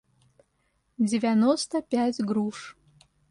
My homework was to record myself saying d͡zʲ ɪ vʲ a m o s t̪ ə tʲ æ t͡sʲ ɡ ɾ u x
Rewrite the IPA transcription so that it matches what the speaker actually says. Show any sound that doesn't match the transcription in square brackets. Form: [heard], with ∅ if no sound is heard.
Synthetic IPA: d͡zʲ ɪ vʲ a [n] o s t̪ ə [pʲ] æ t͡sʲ ɡ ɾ u [ʂ]